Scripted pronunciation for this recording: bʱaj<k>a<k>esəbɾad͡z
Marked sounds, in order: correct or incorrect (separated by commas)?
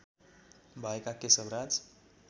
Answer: correct, correct